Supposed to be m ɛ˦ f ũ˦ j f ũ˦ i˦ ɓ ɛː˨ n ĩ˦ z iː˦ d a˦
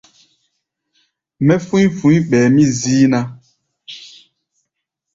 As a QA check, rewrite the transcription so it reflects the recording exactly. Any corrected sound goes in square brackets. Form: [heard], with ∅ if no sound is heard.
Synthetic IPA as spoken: m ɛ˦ f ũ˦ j f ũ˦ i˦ ɓ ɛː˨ [m] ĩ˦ z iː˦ [n] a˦